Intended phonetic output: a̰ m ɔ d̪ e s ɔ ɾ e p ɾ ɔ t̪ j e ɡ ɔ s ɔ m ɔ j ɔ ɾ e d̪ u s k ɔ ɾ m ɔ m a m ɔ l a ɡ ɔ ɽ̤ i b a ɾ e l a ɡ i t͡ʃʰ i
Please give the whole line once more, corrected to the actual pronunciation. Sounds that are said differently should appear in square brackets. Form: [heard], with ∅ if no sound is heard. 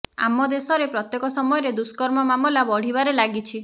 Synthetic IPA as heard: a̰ m ɔ d̪ e s ɔ ɾ e p ɾ ɔ t̪ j e [k] ɔ s ɔ m ɔ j ɔ ɾ e d̪ u s k ɔ ɾ m ɔ m a m ɔ l a [b] ɔ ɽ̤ i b a ɾ e l a ɡ i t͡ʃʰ i

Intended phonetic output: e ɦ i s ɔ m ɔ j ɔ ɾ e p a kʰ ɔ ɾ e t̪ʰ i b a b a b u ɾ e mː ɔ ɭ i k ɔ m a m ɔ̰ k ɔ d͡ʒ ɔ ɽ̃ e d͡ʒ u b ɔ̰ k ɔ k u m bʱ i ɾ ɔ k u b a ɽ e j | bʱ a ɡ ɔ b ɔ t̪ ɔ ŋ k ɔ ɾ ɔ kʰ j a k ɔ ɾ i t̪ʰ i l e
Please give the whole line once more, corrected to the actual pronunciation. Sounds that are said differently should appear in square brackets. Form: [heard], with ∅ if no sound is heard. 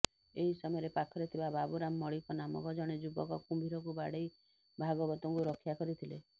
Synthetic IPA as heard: e ɦ i s ɔ m ɔ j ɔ ɾ e p a kʰ ɔ ɾ e t̪ʰ i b a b a b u ɾ [a] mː ɔ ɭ i k ɔ [n] a m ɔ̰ k ɔ d͡ʒ ɔ ɽ̃ e d͡ʒ u b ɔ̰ k ɔ k u m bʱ i ɾ ɔ k u b a ɽ e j | bʱ a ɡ ɔ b ɔ t̪ ɔ ŋ k [u] ɾ ɔ kʰ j a k ɔ ɾ i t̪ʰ i l e

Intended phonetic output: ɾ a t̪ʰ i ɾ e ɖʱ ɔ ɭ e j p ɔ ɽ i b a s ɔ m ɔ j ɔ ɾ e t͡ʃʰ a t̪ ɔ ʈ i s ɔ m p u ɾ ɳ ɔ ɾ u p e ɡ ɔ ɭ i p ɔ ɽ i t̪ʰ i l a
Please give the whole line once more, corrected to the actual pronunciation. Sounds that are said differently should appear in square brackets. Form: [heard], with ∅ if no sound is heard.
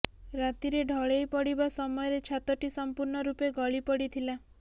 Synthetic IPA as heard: ɾ a [t̪] i ɾ e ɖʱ ɔ ɭ e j p ɔ ɽ i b a s ɔ m ɔ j ɔ ɾ e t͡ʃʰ a t̪ ɔ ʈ i s ɔ m p u ɾ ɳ ɔ ɾ u p e ɡ ɔ ɭ i p ɔ ɽ i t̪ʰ i l a

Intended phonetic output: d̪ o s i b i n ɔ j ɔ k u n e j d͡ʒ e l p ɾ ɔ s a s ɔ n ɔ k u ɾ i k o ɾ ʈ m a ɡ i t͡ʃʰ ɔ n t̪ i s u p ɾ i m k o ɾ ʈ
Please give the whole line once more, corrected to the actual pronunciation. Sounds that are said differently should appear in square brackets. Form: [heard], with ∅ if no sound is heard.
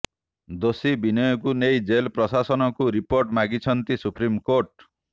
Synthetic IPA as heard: d̪ o s i b i n ɔ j ɔ k u n e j d͡ʒ e l p ɾ ɔ s a s ɔ n ɔ k u ɾ i [p] o ɾ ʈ m a ɡ i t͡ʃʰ ɔ n t̪ i s u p ɾ i m k o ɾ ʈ

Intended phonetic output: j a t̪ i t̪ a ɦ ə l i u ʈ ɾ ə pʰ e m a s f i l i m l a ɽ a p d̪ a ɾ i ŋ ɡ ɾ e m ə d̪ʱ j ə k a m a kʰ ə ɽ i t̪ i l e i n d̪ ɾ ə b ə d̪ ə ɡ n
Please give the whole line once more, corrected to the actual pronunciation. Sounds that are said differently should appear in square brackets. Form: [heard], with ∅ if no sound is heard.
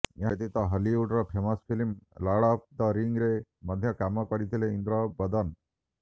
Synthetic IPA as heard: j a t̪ i t̪ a ɦ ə l i u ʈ ɾ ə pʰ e m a s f i l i m l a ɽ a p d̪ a ɾ i ŋ ɡ ɾ e m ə d̪ʱ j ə k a m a [k] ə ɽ i t̪ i l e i n d̪ ɾ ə b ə d̪ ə [∅] n

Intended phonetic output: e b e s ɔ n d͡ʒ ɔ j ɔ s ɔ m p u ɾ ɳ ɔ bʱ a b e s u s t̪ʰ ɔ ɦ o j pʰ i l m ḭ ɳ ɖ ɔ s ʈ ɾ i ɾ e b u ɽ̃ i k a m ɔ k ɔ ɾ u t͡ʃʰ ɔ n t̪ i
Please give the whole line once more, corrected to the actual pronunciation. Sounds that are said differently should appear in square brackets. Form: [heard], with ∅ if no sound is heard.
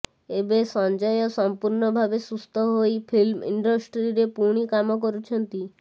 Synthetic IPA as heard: e b e s ɔ n d͡ʒ ɔ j ɔ s ɔ m p u ɾ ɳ ɔ bʱ a b e s u s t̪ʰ ɔ ɦ o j pʰ i l m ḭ ɳ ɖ ɔ s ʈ ɾ i ɾ e [p] u ɽ̃ i k a m ɔ k ɔ ɾ u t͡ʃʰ ɔ n t̪ i

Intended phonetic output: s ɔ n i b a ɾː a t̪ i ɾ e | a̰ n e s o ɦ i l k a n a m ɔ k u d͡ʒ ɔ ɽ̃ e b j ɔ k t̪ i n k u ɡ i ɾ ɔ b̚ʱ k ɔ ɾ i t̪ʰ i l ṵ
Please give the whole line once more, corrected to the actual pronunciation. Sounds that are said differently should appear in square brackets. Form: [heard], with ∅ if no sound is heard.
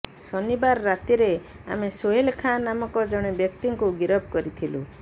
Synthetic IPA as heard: s ɔ n i b a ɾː a t̪ i ɾ e | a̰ [m] e s o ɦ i l [kʰ] a n a m ɔ k [ɔ] d͡ʒ ɔ ɽ̃ e b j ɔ k t̪ i [ŋ] k u ɡ i ɾ ɔ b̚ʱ k ɔ ɾ i t̪ʰ i l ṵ

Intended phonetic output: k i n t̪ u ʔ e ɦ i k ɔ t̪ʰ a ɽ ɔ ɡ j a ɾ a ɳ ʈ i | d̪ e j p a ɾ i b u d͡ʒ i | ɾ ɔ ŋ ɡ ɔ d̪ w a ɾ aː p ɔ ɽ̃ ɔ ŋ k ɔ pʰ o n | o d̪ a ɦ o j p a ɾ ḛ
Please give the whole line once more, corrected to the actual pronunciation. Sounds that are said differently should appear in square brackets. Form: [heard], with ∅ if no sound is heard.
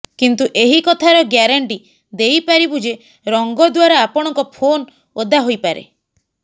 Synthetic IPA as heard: k i n t̪ u ʔ e ɦ i k ɔ t̪ʰ a [ɾ] ɔ ɡ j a ɾ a ɳ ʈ i | d̪ e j p a ɾ i b u d͡ʒ [e] | ɾ ɔ ŋ ɡ ɔ d̪ w a ɾ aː p ɔ ɽ̃ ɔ ŋ k ɔ pʰ o n | o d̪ a ɦ o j p a ɾ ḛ

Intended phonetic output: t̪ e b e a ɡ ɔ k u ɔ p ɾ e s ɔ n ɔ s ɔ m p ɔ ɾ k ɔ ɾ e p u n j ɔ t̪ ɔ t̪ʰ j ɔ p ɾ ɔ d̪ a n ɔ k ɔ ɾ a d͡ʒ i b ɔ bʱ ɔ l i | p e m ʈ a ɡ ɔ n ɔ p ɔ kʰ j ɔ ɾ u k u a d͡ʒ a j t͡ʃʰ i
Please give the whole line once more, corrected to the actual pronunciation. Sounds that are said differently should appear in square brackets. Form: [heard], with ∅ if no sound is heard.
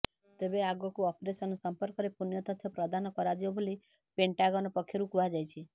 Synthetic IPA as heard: t̪ e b e a ɡ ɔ k u ɔ p ɾ e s ɔ n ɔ s ɔ m p ɔ ɾ k ɔ ɾ e p u n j ɔ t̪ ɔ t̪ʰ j ɔ p ɾ ɔ d̪ a n ɔ k ɔ ɾ a d͡ʒ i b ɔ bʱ [o] l i | p e [ɳ] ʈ a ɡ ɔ n ɔ p ɔ kʰ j ɔ ɾ u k u a d͡ʒ a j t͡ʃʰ i

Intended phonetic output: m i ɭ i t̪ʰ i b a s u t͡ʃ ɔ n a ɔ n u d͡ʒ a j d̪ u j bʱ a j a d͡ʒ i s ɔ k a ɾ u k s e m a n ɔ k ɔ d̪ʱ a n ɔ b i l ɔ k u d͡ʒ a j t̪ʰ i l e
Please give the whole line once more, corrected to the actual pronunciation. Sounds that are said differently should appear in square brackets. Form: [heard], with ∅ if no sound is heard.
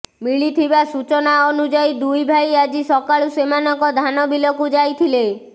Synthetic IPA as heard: m i ɭ i t̪ʰ i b a s u t͡ʃ ɔ n a ɔ n u d͡ʒ a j d̪ u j bʱ a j a d͡ʒ i s ɔ k a [ɭ] u [∅] s e m a n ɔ k ɔ d̪ʱ a n ɔ b i l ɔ k u d͡ʒ a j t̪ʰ i l e

